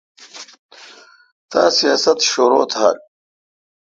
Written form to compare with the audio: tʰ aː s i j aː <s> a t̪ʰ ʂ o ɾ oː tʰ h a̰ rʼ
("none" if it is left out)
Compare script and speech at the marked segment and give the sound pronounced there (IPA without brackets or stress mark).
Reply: s